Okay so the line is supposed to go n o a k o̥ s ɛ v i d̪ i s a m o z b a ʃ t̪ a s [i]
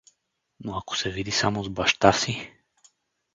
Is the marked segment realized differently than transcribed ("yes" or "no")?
no